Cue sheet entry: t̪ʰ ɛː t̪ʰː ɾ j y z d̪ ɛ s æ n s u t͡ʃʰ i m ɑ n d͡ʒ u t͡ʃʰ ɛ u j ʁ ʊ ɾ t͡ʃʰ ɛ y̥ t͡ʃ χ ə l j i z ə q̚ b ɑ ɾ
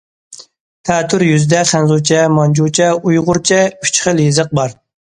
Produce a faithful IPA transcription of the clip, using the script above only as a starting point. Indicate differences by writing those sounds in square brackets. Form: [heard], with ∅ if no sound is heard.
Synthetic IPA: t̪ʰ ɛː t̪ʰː ɾ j y z d̪ ɛ [χ] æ n [z] u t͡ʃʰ [ɛ] m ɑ n d͡ʒ u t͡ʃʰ ɛ u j ʁ ʊ ɾ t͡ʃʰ ɛ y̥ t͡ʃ χ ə l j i z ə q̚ b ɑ ɾ